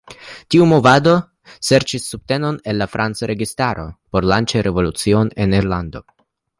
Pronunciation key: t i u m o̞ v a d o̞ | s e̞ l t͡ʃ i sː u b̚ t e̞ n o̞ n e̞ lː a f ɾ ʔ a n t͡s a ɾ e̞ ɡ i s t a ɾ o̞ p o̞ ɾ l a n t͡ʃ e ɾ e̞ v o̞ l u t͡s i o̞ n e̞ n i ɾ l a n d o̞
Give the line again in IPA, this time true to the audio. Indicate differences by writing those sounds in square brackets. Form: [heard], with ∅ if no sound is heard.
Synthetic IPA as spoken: t i u m o̞ v a d o̞ | s e̞ [ɾ] t͡ʃ i sː u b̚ t e̞ n o̞ n e̞ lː a f ɾ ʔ a n t͡s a ɾ e̞ ɡ i s t a ɾ o̞ p o̞ ɾ l a n t͡ʃ e ɾ e̞ v o̞ l u t͡s i o̞ n e̞ n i ɾ l a n d o̞